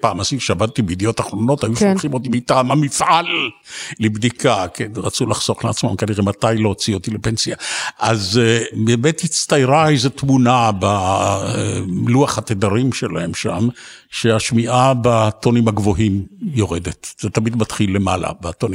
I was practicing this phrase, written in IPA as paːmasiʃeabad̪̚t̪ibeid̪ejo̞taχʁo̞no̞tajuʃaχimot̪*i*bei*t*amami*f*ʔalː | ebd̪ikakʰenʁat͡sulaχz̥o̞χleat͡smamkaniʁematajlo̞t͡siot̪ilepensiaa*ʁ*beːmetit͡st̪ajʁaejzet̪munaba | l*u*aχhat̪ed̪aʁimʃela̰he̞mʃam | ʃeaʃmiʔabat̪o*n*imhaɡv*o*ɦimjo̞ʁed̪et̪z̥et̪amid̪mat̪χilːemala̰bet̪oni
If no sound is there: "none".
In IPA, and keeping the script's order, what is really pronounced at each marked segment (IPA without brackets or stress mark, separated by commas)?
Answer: i, t, f, z, u, n, o